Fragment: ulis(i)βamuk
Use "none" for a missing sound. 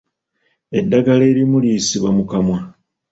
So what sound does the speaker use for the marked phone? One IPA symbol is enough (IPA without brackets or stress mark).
i